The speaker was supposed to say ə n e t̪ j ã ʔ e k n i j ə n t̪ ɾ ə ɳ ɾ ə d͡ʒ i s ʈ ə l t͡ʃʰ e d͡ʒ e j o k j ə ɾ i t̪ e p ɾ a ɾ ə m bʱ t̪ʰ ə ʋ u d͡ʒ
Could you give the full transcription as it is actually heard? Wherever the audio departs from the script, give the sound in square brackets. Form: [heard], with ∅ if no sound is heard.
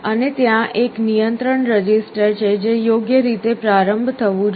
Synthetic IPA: ə n e t̪ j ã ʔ e k n i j ə n t̪ ɾ ə ɳ ɾ ə d͡ʒ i s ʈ ə [ɾ] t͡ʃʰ e d͡ʒ e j o [ɡ] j ə ɾ i t̪ e p ɾ a ɾ ə m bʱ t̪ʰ ə ʋ [ũ] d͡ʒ